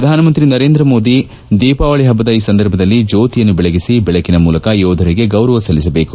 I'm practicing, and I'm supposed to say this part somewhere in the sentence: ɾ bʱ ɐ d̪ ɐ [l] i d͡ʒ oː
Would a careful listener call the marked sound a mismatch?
yes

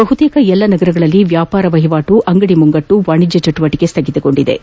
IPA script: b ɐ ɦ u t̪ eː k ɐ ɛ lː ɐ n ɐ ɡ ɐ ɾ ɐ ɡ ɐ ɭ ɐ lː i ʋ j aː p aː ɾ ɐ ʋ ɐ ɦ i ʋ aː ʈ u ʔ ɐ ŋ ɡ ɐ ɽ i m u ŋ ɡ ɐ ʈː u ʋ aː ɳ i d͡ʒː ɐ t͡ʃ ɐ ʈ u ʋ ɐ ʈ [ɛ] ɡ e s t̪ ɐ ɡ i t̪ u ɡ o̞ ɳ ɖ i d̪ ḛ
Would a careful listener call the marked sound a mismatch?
yes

